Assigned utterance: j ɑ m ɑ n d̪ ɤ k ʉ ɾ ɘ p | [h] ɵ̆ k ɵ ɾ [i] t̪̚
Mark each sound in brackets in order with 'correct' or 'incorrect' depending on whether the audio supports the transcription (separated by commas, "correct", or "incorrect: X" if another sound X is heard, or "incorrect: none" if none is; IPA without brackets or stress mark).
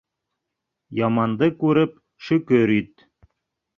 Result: incorrect: ʃ, correct